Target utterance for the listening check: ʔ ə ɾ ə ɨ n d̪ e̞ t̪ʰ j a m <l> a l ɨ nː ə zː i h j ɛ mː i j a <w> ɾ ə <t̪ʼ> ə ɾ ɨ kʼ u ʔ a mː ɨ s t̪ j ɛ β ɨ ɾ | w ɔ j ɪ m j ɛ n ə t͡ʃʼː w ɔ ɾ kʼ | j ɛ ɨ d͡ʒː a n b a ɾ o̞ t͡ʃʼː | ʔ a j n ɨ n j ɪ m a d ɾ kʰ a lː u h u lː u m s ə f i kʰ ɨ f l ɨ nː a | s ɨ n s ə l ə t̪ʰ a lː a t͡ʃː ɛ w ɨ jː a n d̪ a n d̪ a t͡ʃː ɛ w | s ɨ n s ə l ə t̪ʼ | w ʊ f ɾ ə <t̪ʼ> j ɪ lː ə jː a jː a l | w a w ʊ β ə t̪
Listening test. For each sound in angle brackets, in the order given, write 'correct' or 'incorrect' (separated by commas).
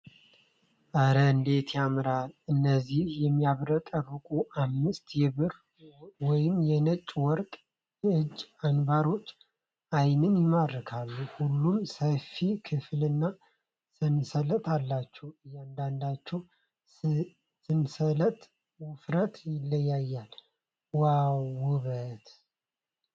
incorrect, incorrect, correct, incorrect